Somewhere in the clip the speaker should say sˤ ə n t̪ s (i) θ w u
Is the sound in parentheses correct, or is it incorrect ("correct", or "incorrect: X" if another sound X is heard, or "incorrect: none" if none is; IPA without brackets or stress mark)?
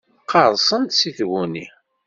correct